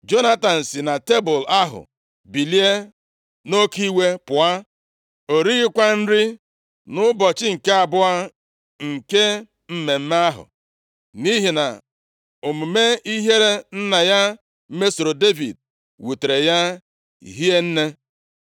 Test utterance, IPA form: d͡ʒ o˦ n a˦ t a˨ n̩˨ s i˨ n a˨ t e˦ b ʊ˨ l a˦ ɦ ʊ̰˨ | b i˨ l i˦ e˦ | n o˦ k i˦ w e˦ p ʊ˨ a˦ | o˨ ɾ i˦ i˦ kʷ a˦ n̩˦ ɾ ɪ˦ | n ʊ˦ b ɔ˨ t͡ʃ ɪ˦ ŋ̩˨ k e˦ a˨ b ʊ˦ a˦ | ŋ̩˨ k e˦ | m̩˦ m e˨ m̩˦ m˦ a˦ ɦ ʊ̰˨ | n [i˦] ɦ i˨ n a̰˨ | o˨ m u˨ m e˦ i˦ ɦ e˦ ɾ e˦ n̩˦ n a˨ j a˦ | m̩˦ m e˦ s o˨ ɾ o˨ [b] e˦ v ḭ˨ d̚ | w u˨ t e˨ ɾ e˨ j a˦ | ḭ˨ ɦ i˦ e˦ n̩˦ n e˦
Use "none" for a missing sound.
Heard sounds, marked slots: i˦, d

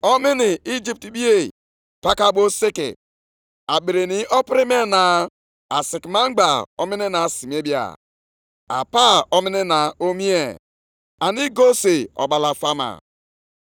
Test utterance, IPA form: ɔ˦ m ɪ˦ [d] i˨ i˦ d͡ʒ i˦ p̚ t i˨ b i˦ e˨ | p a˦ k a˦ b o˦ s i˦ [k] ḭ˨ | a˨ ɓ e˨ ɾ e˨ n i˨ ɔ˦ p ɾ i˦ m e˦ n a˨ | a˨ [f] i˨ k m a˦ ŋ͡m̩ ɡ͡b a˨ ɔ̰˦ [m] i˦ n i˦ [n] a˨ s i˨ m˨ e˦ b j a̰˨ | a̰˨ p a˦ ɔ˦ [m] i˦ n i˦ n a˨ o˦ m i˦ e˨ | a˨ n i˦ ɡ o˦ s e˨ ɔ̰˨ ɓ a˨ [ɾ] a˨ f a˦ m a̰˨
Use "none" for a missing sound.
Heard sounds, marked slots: n, k, s, m, n, m, l

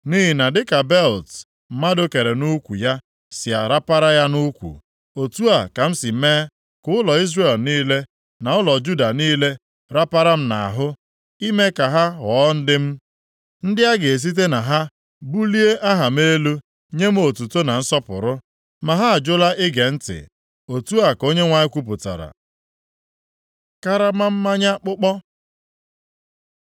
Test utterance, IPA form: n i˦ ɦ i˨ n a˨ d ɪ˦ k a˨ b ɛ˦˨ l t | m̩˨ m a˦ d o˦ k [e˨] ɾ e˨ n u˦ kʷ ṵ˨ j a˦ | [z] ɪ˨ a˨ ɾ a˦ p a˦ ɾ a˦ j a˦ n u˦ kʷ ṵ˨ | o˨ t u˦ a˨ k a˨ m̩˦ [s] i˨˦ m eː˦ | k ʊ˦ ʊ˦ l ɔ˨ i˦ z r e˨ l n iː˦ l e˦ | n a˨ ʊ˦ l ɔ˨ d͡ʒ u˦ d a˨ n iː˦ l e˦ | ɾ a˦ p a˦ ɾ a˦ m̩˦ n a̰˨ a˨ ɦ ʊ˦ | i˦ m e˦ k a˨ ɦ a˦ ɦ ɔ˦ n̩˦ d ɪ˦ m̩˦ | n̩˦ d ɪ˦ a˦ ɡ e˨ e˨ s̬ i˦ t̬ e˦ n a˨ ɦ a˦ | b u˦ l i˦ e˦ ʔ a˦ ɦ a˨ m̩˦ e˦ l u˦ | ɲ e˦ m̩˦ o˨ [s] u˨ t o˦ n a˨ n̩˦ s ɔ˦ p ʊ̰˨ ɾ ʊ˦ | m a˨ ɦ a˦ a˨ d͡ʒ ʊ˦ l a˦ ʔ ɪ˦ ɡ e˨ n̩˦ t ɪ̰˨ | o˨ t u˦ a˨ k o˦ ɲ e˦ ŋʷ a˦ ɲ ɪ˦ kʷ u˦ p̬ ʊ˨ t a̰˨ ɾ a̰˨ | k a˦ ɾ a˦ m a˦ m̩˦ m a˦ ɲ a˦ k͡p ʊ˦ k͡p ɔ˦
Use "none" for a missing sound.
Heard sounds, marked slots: e˨, s, s, t

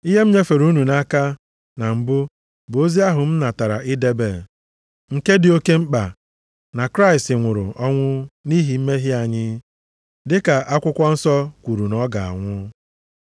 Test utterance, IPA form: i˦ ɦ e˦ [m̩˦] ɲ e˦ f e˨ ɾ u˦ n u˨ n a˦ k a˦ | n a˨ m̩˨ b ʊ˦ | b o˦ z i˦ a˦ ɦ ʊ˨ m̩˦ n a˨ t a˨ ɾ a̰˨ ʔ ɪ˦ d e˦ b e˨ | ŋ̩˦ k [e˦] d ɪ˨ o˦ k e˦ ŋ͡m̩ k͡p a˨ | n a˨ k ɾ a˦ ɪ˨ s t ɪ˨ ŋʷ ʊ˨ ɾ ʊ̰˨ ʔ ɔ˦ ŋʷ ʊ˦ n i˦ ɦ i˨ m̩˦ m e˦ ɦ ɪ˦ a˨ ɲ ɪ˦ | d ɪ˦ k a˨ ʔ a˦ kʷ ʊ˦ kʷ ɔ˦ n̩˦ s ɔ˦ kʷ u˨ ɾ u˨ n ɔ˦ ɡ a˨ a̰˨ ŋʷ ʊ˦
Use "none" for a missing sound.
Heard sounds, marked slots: m̩˦, e˦

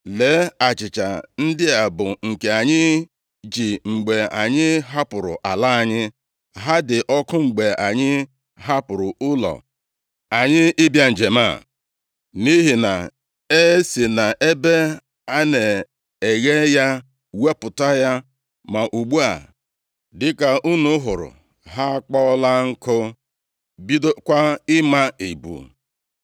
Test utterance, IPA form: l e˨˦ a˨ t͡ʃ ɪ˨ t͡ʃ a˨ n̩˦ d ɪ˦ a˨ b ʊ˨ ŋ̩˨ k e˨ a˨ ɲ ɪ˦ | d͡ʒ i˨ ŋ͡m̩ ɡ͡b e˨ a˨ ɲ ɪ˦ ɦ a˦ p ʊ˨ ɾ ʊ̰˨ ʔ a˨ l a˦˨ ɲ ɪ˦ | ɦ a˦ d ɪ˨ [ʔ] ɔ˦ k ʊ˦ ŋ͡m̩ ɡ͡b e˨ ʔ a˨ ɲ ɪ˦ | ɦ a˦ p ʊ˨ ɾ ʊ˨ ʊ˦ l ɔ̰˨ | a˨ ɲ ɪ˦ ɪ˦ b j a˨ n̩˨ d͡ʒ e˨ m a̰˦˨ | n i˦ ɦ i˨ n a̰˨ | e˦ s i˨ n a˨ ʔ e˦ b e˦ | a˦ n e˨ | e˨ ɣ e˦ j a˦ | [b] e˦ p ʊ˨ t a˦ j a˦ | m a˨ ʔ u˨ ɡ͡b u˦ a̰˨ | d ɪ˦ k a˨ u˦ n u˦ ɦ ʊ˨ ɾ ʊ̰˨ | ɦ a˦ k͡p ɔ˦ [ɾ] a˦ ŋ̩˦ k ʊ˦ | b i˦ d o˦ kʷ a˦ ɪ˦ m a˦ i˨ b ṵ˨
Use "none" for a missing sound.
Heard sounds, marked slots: ʔ, w, l

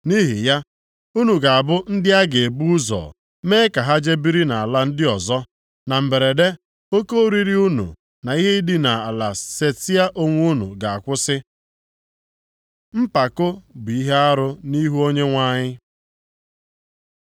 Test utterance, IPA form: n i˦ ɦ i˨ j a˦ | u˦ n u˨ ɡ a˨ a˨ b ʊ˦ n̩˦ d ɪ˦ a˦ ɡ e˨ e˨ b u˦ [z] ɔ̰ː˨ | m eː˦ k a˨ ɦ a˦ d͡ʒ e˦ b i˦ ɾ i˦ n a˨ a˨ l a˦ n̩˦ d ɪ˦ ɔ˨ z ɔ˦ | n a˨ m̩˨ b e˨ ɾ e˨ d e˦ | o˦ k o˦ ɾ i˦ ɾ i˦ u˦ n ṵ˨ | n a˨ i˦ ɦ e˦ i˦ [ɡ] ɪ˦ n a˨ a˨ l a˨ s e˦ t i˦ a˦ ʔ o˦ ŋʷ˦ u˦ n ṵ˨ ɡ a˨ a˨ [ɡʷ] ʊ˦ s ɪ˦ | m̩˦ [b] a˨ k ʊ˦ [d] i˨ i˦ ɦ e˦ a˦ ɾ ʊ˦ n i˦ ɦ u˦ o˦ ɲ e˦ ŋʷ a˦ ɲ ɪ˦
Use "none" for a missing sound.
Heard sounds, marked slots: z, d, kʷ, p, b

